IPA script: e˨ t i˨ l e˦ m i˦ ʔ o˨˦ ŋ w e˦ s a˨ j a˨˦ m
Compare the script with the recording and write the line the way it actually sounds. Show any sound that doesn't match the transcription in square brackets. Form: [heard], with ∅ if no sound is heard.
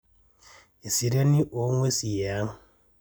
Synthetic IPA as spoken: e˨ [s] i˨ [ɾ] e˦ [n] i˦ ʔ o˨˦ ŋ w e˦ s [i˨] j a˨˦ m